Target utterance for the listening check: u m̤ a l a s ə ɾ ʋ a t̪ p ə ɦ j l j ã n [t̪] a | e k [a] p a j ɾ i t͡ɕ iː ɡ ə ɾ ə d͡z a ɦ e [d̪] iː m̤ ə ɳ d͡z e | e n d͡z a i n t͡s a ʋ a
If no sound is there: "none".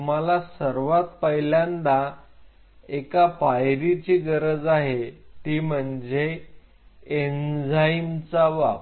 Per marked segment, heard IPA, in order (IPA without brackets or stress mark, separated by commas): d̪, a, t̪